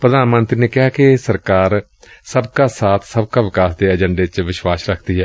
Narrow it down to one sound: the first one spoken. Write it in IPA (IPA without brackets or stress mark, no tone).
p